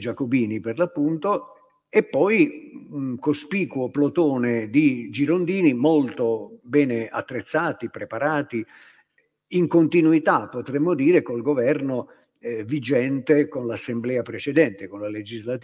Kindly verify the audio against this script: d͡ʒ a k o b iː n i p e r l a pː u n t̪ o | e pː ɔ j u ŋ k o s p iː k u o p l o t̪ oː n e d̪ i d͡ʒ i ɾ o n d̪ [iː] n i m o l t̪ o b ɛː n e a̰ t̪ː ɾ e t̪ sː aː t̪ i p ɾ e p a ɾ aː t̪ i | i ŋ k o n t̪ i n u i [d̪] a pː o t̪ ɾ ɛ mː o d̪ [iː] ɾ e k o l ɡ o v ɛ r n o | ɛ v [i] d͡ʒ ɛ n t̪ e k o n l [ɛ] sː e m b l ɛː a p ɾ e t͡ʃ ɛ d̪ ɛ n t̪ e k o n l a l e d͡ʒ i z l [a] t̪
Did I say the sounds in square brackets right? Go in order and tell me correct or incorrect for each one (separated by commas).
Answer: correct, incorrect, correct, correct, incorrect, correct